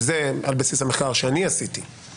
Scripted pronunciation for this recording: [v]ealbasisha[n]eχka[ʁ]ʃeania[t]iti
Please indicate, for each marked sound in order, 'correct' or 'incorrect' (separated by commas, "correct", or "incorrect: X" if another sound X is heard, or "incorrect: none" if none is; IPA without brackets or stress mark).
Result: incorrect: z, incorrect: m, correct, incorrect: s